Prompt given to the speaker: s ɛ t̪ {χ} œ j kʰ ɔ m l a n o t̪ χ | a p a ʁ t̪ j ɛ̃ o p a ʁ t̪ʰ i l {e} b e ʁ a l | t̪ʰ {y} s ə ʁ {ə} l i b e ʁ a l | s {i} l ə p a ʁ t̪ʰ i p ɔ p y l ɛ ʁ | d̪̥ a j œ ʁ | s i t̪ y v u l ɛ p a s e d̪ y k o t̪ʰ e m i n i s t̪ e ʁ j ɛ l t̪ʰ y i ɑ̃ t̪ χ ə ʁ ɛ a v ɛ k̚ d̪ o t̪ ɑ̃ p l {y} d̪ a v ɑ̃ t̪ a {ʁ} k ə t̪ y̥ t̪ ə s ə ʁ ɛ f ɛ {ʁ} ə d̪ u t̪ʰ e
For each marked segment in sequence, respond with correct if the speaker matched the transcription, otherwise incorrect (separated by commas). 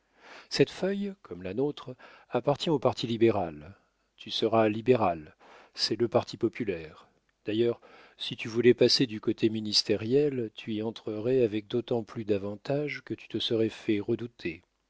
incorrect, incorrect, correct, incorrect, incorrect, correct, incorrect, correct